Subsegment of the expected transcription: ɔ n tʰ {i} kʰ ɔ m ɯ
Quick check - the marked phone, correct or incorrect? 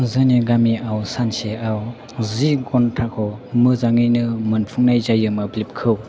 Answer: incorrect: a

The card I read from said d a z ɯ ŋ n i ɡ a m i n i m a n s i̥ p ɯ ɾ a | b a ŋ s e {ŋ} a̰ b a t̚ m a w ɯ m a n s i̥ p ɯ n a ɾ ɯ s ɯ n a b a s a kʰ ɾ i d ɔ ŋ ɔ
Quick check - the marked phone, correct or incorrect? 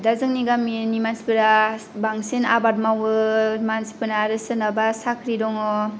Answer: incorrect: n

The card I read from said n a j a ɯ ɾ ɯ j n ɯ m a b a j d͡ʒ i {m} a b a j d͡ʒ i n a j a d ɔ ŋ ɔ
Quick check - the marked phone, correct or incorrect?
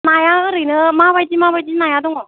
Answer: correct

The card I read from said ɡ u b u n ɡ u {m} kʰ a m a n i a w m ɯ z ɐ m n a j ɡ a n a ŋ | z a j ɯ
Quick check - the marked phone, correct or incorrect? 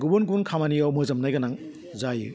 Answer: incorrect: n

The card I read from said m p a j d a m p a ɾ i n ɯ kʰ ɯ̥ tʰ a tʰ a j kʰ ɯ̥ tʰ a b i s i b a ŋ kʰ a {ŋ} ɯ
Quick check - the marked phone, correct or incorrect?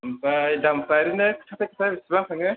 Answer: correct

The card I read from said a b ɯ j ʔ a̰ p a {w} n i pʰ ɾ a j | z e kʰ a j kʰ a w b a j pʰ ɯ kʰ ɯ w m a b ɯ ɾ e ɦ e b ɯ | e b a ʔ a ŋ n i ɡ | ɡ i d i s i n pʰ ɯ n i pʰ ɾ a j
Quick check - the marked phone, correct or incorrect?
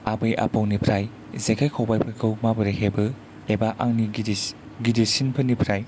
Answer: correct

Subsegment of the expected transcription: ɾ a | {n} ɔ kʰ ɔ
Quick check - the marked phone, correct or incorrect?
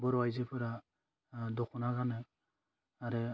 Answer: incorrect: d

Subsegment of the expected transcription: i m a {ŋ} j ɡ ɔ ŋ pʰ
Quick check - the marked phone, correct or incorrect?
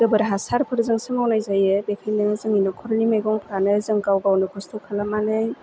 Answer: incorrect: none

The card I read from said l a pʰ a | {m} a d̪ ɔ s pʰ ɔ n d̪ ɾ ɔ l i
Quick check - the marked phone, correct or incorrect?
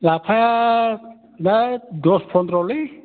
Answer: incorrect: n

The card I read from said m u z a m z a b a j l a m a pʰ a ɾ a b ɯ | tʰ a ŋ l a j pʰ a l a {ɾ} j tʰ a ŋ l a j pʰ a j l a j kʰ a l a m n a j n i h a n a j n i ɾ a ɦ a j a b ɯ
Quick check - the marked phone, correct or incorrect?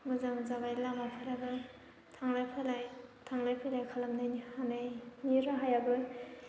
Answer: incorrect: none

